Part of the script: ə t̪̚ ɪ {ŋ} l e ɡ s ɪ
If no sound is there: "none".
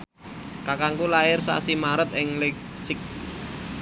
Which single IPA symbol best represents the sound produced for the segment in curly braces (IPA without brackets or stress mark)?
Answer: ŋ